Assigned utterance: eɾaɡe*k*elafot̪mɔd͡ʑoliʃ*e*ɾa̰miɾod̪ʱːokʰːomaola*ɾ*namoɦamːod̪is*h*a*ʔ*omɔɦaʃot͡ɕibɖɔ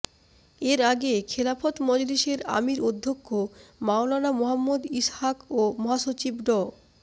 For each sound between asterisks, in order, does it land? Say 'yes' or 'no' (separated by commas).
no, yes, no, yes, no